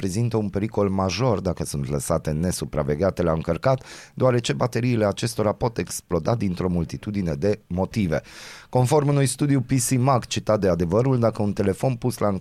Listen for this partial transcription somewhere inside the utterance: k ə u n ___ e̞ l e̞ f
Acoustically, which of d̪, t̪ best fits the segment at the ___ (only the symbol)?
t̪